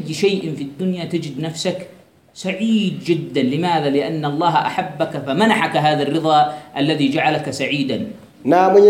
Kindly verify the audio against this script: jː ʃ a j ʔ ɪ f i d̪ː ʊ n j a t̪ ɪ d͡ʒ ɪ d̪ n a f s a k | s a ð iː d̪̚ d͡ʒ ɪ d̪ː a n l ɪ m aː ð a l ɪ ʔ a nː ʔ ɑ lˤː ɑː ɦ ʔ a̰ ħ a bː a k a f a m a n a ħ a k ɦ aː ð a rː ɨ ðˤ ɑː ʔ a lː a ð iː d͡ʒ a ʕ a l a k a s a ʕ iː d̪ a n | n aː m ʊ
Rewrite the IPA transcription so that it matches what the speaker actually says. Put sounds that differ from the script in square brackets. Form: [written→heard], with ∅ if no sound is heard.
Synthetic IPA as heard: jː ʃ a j ʔ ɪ f i d̪ː ʊ n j a t̪ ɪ d͡ʒ ɪ d̪ n a f s a k | s a [ð→ʕ] iː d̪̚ d͡ʒ ɪ d̪ː a n l ɪ m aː ð a l ɪ ʔ a nː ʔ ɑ lˤː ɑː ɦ ʔ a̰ ħ a bː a k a f a m a n a ħ a k ɦ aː ð a rː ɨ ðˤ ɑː ʔ a lː a ð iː d͡ʒ a ʕ a l a k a s a ʕ iː d̪ a n | n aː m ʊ